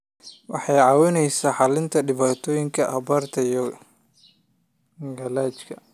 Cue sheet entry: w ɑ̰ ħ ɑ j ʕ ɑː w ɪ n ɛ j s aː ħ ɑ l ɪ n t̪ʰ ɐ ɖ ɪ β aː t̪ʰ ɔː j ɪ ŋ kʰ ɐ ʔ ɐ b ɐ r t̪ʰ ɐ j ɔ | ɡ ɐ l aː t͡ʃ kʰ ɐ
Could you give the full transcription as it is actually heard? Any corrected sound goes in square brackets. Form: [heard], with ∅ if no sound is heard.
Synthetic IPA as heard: w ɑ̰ ħ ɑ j ʕ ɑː w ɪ n ɛ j s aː ħ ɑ l ɪ n t̪ʰ ɐ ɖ ɪ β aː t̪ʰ ɔː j ɪ ŋ kʰ ɐ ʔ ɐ b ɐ r t̪ʰ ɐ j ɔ | ɡ ɐ l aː t͡ʃ kʰ ɐ